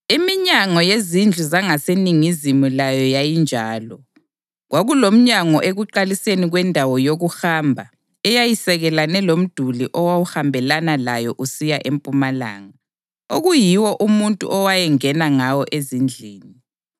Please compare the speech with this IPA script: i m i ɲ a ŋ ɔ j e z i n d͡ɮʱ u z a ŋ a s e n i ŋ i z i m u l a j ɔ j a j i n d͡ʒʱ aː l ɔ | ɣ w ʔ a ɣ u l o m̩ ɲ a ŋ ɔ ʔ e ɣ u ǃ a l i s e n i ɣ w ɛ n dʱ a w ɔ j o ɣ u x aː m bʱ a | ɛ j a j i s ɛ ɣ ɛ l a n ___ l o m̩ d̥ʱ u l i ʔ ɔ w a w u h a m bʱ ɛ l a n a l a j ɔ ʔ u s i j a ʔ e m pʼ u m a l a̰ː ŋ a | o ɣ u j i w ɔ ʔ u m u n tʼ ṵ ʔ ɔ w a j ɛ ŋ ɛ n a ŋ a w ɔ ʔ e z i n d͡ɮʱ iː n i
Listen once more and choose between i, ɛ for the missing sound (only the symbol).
ɛ